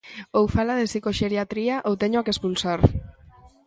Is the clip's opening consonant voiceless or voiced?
voiced